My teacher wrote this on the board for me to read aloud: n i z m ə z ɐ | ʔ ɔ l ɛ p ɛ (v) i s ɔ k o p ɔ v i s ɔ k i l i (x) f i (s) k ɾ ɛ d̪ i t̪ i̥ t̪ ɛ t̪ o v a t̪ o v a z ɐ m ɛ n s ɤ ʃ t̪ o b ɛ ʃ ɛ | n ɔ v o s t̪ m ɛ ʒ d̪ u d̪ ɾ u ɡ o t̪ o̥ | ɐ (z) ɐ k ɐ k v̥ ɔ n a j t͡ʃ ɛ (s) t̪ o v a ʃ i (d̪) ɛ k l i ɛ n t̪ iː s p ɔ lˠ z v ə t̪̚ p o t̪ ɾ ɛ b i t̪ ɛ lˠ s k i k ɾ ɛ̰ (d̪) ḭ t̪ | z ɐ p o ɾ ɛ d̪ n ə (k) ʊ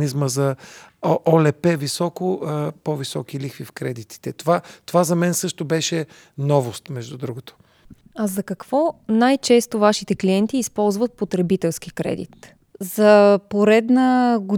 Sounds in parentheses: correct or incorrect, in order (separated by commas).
correct, correct, incorrect, correct, correct, incorrect, correct, incorrect